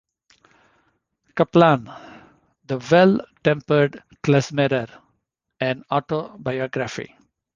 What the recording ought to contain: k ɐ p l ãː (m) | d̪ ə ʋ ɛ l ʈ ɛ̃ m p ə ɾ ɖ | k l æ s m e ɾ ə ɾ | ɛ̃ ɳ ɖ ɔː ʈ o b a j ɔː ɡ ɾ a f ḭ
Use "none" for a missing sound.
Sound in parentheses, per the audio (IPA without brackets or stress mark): n